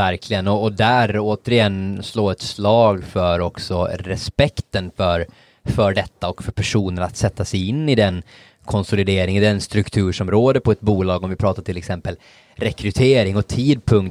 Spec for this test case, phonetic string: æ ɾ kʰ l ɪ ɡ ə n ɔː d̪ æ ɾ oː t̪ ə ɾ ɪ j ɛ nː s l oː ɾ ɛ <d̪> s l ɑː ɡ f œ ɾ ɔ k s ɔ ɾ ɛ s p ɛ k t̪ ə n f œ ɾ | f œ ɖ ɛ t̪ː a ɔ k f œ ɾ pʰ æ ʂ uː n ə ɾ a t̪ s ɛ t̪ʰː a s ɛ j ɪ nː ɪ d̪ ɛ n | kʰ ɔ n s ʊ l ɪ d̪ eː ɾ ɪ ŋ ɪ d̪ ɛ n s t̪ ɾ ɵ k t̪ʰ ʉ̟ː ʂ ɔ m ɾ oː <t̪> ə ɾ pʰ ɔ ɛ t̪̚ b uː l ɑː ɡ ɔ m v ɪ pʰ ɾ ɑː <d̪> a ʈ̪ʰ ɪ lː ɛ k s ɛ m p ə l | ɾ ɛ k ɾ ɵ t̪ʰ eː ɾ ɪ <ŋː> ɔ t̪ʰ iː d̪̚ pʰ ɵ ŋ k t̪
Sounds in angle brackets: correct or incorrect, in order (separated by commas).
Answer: incorrect, incorrect, incorrect, incorrect